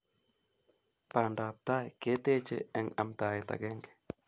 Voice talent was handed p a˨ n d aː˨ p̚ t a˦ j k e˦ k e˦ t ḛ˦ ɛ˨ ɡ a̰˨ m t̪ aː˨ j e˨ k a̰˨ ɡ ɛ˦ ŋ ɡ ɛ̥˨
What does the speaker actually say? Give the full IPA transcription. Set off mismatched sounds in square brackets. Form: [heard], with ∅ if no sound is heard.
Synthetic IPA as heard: p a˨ n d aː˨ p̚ t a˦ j k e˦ [t] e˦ [t͡ʃ] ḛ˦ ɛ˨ [ŋ] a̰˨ m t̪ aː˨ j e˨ [t] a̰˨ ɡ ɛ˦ ŋ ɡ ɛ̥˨